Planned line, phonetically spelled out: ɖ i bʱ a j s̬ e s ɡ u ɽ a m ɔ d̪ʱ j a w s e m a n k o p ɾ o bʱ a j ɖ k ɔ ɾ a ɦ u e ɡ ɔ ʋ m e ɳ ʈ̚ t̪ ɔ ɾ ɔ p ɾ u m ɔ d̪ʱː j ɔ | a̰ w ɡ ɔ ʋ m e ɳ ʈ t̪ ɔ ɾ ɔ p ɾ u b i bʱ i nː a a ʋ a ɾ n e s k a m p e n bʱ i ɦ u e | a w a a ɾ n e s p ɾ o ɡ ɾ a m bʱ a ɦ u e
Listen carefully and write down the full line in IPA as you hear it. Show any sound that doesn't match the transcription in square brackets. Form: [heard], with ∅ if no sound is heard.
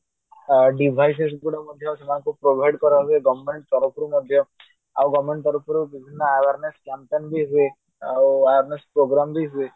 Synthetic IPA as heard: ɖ i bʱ a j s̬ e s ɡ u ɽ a m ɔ d̪ʱ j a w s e m a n k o p ɾ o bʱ a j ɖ k ɔ ɾ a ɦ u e ɡ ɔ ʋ m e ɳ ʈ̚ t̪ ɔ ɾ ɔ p ɾ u m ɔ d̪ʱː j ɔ | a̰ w ɡ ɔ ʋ m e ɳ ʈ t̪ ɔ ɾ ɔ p ɾ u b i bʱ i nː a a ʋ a ɾ n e s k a m p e n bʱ i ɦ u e | a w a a ɾ n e s p ɾ o ɡ ɾ a m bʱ [i] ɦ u e